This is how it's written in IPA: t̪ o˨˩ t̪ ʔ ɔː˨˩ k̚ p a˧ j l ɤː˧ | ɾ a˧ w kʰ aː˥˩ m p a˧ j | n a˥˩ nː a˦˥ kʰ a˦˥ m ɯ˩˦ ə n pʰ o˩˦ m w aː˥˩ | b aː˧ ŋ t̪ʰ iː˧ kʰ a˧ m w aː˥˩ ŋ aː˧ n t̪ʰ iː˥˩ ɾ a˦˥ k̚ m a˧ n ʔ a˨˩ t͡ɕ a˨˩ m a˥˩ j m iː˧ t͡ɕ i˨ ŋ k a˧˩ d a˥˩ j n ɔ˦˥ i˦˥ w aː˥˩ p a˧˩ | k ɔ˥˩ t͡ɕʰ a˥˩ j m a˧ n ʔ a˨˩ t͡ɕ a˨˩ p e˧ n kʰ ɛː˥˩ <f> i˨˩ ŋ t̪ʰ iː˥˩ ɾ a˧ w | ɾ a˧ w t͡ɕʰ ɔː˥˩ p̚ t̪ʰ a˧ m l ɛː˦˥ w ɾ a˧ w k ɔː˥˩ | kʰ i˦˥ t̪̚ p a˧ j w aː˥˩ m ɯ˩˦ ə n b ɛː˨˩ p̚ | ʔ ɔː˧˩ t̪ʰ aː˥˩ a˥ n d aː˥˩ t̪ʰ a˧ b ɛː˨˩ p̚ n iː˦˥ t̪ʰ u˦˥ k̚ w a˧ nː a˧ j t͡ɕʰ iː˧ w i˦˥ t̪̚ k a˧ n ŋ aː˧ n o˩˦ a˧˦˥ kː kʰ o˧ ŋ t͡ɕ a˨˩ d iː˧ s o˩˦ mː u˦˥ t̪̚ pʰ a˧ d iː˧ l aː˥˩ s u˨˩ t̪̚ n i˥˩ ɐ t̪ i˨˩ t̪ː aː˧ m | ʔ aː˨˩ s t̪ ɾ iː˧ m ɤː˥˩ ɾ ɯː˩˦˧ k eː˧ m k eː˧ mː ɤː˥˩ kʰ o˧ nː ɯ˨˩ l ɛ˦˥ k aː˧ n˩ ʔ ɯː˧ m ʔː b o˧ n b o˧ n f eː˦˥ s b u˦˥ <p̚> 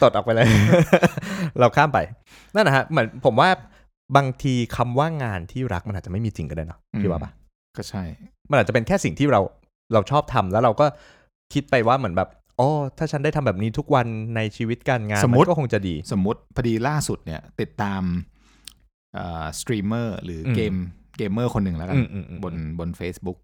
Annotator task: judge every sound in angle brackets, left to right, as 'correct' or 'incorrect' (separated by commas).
incorrect, incorrect